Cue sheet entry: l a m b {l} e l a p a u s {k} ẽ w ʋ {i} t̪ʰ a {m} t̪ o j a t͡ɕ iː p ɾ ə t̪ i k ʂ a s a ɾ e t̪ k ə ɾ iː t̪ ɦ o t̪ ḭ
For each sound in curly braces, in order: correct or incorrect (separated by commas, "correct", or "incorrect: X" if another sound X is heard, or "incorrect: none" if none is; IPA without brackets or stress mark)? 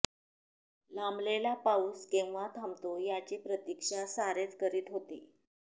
correct, correct, incorrect: a, correct